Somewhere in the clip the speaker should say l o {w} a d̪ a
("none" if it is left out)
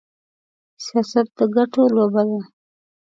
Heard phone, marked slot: b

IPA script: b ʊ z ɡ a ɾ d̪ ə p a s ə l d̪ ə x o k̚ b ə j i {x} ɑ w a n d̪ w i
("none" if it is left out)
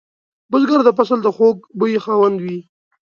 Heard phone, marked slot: x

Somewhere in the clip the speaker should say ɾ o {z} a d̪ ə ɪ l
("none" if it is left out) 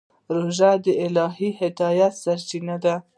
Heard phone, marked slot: ʒ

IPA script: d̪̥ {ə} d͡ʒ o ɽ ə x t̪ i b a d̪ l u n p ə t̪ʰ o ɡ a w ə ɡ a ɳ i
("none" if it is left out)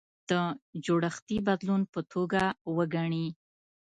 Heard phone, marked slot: ə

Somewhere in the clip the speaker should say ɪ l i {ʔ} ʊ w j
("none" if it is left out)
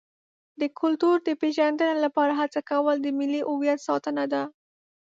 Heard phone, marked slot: ʔ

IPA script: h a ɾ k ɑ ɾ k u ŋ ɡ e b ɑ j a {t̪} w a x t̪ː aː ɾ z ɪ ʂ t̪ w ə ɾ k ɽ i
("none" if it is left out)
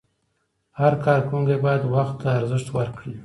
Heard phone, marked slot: d̪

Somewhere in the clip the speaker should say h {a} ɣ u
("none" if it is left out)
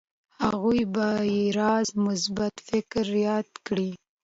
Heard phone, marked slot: a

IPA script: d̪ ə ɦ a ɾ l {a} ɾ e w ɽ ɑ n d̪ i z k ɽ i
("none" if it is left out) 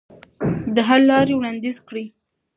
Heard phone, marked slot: ɑ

